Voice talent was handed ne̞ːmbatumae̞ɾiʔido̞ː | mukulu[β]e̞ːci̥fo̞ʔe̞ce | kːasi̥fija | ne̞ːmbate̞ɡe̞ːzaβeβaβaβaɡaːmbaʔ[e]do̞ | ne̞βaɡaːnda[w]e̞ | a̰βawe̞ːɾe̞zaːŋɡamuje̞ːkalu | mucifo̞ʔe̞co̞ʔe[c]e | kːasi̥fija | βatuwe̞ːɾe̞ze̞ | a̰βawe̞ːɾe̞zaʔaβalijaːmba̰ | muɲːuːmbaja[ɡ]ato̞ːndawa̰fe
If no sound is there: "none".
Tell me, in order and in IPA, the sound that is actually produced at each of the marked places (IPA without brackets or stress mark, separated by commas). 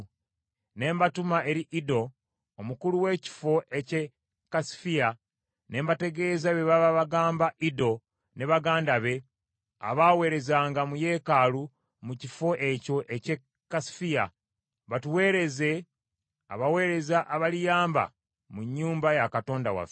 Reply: w, i, β, c, k